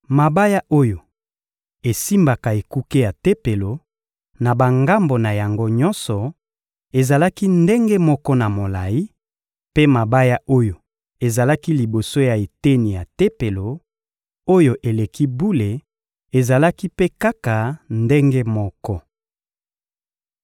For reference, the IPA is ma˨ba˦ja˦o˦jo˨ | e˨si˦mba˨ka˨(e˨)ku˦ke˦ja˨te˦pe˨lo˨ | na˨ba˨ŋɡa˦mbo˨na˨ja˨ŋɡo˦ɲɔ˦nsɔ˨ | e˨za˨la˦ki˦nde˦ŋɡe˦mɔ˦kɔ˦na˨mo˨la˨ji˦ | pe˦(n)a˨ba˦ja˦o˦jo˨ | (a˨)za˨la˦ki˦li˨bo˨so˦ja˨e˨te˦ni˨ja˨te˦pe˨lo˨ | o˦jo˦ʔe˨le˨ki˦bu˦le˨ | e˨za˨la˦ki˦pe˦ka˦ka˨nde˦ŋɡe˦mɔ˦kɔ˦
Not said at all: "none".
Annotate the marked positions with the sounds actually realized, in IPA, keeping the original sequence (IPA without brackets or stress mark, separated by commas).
e˨, m, e˨